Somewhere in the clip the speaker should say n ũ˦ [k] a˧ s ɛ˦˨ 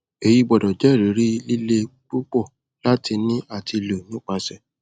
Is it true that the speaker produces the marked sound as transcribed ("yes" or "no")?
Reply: no